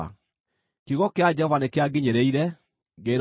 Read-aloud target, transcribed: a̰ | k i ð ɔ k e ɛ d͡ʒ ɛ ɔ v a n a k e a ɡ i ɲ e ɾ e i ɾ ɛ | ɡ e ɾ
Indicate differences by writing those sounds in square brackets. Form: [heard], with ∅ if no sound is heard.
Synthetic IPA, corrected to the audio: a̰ | k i [ɣ] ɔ k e [a] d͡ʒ ɛ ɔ v a n [e] k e a ɡ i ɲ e ɾ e i ɾ ɛ | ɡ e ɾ